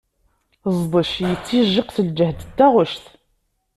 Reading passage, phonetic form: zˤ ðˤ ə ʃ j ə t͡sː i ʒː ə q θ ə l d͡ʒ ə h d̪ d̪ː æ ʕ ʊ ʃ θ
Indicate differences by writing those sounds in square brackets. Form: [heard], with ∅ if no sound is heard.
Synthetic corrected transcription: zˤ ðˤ ə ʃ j ə t͡sː i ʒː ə q θ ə l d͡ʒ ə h d̪ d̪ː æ [ʁ] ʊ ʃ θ